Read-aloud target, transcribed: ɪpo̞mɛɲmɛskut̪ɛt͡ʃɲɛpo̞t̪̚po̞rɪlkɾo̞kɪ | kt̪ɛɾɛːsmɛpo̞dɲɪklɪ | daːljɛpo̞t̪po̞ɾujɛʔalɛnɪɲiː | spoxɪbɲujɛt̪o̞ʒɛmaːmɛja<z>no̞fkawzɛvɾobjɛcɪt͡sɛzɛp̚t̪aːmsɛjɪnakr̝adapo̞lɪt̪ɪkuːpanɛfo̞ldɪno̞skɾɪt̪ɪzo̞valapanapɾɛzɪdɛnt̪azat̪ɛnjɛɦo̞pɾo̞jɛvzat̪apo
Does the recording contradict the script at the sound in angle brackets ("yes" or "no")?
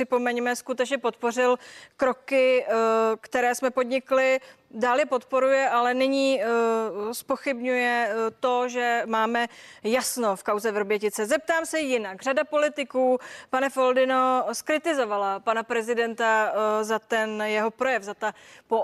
yes